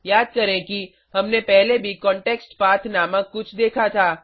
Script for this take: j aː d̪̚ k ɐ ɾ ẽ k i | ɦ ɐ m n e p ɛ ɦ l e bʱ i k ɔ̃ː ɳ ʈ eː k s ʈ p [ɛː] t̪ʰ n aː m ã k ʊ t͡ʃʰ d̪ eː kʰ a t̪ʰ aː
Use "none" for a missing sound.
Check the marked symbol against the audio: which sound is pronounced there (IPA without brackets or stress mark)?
aː